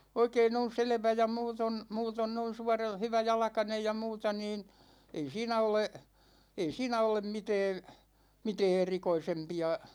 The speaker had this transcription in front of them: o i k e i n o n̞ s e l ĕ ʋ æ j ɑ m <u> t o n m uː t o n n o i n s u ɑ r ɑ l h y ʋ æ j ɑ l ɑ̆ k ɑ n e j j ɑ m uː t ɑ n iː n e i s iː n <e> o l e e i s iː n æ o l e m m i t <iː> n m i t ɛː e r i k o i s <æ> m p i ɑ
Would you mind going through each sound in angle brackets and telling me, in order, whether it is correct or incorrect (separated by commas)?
incorrect, incorrect, incorrect, incorrect